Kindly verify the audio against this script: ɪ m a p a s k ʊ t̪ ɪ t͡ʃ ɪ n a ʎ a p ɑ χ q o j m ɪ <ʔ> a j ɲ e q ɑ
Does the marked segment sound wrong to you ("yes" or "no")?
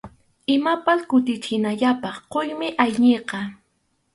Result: no